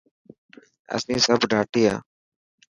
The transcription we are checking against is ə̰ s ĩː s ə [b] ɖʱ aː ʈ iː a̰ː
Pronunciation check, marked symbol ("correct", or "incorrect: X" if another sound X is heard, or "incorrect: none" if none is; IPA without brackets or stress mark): correct